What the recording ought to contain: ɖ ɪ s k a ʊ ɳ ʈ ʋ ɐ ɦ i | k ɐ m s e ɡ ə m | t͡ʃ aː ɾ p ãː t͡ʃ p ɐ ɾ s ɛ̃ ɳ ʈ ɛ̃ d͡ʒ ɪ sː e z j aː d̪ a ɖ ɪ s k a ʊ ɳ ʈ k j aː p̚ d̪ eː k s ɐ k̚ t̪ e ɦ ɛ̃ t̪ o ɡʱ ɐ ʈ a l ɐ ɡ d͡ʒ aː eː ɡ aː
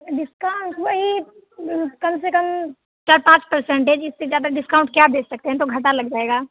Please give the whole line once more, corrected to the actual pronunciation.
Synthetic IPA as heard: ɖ ɪ s k a ʊ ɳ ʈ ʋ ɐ ɦ i | k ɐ m s e k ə m | t͡ʃ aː ɾ p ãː t͡ʃ p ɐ ɾ s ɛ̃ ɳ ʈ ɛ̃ d͡ʒ ɪ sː e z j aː d̪ a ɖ ɪ s k a ʊ ɳ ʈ k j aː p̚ d̪ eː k s ɐ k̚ t̪ e ɦ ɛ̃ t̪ o ɡʱ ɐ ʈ a l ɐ ɡ d͡ʒ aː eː ɡ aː